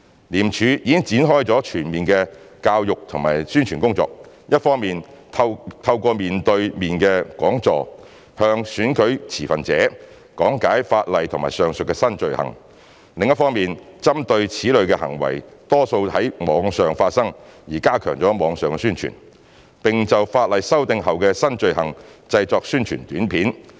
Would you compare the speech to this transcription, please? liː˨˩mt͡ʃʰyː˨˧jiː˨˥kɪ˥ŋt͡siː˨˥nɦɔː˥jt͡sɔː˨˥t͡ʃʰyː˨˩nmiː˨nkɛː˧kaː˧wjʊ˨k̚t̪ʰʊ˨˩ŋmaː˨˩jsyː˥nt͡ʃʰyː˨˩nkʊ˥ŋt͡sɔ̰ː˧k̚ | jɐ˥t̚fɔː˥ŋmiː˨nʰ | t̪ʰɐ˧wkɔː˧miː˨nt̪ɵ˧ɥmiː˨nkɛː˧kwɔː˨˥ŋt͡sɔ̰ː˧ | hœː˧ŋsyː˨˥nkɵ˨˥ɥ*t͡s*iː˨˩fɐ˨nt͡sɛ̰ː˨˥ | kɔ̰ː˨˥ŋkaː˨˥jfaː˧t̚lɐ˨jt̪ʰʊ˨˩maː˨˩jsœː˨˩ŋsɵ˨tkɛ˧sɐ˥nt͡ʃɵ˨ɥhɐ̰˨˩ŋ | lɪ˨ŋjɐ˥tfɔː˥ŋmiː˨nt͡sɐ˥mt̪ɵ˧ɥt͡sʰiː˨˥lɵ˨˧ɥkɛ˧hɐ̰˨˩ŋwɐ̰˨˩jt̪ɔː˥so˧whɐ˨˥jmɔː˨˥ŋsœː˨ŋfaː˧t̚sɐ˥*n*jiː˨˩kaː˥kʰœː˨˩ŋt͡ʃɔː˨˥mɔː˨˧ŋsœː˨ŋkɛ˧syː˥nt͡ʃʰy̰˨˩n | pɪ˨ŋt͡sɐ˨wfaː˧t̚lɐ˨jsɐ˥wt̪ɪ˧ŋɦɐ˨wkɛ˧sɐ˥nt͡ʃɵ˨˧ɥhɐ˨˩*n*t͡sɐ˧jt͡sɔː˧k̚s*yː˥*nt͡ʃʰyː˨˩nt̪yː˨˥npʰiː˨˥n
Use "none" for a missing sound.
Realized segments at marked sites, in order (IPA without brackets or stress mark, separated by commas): t͡sʰ, ŋ, ŋ, yː˥